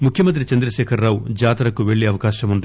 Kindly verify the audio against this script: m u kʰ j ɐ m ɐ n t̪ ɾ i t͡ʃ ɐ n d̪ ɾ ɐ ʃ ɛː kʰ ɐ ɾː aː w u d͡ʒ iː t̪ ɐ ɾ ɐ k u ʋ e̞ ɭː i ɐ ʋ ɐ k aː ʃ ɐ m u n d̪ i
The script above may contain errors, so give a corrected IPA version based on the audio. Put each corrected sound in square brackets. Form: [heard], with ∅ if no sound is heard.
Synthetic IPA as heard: m u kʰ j ɐ m ɐ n t̪ ɾ i t͡ʃ ɐ n d̪ ɾ ɐ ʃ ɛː kʰ ɐ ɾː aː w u d͡ʒ [aː] t̪ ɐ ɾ ɐ k u ʋ e̞ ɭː i ɐ ʋ ɐ k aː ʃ ɐ m u n d̪ i